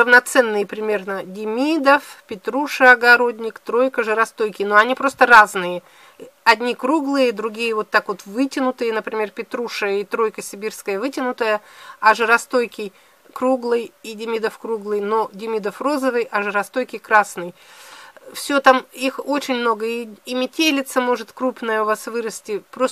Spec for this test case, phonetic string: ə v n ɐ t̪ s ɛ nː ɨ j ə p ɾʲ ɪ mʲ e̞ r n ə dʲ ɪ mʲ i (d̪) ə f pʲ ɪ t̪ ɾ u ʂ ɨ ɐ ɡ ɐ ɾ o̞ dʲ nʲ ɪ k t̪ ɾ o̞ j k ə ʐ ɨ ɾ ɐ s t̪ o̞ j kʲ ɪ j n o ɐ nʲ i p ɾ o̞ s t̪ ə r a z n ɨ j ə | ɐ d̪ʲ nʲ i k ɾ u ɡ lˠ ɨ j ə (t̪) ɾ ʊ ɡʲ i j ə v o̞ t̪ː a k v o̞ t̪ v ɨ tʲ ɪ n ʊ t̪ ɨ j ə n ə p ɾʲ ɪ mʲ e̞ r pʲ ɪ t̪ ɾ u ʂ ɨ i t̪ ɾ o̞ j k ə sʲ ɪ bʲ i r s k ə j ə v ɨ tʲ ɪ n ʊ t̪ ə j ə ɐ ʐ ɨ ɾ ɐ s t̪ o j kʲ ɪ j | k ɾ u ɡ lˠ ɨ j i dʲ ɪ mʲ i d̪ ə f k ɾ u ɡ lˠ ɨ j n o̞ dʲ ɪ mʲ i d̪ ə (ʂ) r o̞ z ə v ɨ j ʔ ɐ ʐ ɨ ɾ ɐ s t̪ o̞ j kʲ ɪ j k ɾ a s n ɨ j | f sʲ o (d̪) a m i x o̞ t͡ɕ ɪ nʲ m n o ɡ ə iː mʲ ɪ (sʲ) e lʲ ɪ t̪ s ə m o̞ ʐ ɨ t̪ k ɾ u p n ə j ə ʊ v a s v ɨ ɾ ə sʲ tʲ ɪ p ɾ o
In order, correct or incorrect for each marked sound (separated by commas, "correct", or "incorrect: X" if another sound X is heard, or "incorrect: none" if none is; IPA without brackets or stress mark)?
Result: correct, incorrect: d̪, incorrect: f, incorrect: t̪, incorrect: tʲ